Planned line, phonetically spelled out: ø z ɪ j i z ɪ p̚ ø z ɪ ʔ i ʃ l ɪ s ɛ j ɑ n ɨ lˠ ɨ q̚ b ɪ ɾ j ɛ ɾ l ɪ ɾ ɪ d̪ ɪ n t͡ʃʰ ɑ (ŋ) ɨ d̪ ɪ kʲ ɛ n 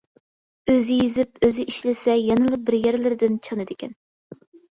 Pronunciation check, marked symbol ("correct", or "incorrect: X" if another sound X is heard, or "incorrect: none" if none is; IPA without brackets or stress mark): incorrect: n